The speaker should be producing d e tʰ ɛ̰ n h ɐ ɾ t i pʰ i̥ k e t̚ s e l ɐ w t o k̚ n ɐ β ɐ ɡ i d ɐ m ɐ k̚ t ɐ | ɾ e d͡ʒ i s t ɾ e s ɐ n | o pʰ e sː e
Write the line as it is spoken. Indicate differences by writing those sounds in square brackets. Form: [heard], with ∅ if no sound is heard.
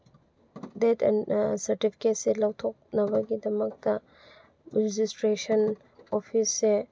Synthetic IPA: d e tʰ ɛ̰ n [s] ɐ ɾ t i pʰ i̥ k e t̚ s e l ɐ w [tʰ] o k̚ n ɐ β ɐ ɡ i d ɐ m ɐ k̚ t ɐ | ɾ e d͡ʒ i s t ɾ e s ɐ n | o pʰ [i] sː e